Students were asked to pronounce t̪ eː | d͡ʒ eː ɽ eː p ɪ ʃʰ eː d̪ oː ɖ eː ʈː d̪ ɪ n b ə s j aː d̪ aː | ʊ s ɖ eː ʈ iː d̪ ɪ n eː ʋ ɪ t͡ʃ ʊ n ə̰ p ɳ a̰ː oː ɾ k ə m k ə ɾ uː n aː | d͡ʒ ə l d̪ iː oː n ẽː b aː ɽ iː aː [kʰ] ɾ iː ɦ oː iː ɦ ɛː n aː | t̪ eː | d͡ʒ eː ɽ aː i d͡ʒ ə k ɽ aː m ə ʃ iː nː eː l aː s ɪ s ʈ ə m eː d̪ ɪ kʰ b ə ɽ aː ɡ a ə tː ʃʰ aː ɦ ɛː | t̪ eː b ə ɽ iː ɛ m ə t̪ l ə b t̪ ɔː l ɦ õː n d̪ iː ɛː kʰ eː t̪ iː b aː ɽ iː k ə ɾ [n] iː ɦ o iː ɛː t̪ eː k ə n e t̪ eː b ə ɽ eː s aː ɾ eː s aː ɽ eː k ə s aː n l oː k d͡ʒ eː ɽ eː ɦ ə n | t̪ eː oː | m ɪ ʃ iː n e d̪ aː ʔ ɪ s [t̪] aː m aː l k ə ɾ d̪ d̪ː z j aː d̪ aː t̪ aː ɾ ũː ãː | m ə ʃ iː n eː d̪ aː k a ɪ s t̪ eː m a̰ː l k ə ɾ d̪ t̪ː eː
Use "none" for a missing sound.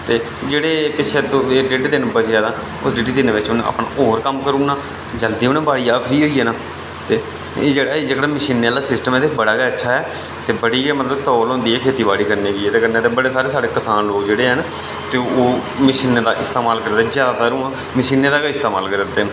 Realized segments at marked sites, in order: pʰ, n, t̪

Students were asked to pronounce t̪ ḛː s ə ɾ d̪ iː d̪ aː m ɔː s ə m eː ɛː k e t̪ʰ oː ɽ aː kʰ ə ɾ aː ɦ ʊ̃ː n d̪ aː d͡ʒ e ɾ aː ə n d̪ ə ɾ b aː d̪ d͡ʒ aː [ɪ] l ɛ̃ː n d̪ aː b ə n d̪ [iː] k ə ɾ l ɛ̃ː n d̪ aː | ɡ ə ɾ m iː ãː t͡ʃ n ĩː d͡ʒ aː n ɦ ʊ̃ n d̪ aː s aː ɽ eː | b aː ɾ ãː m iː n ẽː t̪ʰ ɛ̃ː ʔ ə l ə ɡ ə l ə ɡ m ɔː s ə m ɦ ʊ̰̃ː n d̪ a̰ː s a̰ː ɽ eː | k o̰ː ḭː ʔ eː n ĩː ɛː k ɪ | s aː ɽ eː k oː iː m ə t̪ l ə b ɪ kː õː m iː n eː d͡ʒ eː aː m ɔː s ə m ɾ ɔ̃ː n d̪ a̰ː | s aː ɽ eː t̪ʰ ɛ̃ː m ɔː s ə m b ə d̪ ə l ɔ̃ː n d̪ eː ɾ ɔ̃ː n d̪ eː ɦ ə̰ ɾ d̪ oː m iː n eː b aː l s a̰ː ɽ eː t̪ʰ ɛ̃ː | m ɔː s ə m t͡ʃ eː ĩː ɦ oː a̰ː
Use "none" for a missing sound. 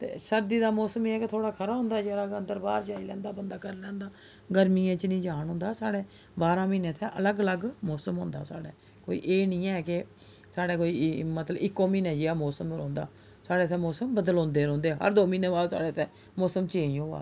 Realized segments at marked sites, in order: i, aː

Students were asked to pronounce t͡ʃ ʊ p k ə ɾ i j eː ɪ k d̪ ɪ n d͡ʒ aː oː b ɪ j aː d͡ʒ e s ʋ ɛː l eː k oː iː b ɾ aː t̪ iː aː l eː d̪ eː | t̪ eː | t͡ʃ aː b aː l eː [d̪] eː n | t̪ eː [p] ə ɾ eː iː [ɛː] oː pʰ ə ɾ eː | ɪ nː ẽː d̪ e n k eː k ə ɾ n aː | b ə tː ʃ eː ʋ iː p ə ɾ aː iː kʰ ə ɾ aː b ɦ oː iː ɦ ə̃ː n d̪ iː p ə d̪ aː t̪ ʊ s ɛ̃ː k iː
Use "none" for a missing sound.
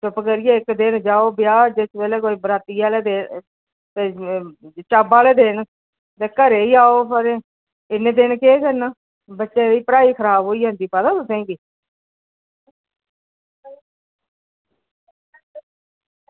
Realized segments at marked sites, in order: d̪, k, aː

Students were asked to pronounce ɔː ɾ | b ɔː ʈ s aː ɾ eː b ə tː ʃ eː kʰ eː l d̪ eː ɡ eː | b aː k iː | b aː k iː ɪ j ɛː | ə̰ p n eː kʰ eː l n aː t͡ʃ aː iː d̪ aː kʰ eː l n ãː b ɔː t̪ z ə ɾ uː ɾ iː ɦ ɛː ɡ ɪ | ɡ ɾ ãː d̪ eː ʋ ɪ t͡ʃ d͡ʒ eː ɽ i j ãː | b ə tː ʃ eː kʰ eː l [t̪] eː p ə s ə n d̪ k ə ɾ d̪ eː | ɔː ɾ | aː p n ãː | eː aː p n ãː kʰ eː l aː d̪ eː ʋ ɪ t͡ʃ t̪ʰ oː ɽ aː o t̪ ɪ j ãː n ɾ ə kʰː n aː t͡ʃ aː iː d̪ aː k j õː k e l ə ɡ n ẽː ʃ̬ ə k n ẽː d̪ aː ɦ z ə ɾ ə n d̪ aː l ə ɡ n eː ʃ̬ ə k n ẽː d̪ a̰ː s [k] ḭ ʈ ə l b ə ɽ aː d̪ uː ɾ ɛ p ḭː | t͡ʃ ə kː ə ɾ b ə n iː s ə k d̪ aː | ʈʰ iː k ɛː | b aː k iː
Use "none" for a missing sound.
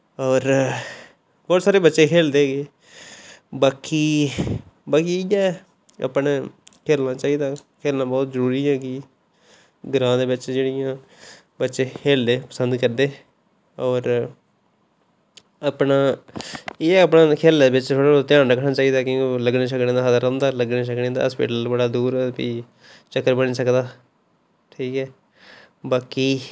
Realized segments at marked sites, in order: d̪, p

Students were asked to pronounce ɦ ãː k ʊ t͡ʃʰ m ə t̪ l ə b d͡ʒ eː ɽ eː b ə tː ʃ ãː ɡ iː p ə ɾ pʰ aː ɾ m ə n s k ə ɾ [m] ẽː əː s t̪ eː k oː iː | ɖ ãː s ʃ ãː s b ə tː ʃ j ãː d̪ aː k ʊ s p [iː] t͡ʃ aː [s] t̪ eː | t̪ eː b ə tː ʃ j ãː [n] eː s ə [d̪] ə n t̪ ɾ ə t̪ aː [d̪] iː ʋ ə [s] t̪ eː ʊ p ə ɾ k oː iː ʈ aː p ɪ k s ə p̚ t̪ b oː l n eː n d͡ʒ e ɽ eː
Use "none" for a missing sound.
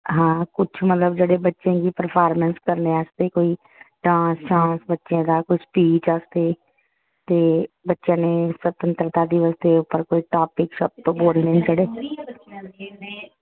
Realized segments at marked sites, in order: n, iː, s, n, t̪, d̪, s

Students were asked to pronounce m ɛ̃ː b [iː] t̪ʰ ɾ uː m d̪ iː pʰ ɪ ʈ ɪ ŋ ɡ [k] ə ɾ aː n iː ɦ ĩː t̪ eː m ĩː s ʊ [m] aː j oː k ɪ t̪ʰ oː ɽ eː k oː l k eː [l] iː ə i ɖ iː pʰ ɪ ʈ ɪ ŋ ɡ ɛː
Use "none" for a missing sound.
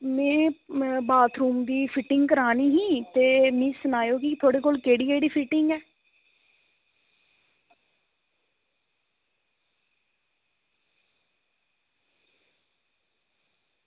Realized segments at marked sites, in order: aː, k, n, ɽ

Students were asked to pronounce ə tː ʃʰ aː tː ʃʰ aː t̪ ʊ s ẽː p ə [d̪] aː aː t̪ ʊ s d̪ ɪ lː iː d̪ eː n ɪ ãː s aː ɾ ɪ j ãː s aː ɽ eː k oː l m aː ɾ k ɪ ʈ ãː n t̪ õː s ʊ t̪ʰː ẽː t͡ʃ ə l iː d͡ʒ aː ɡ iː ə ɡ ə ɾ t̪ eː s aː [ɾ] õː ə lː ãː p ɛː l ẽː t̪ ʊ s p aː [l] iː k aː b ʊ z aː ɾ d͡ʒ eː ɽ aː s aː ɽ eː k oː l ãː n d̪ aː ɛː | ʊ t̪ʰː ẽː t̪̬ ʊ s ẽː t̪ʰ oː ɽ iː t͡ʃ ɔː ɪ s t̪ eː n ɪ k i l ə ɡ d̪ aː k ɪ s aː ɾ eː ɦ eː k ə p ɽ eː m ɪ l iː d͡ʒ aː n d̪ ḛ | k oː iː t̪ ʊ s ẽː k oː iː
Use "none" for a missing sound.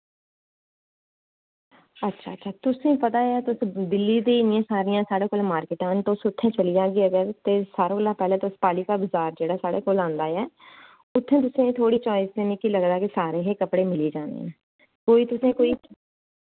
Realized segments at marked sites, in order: t̪, ɾ, l

